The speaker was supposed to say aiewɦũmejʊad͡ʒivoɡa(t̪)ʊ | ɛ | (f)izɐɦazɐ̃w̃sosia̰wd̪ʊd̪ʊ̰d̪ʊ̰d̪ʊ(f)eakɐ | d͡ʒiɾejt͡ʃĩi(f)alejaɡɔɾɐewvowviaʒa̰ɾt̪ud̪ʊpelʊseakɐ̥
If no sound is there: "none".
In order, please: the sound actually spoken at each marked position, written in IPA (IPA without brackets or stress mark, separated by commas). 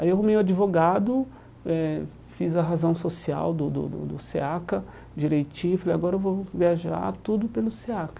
d̪, f, s, f